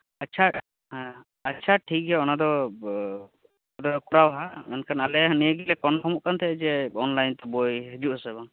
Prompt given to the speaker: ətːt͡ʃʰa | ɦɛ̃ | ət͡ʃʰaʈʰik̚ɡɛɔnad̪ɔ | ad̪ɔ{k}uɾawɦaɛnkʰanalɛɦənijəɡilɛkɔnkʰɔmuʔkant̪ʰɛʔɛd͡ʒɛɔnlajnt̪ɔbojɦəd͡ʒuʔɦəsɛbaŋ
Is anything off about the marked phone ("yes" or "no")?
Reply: no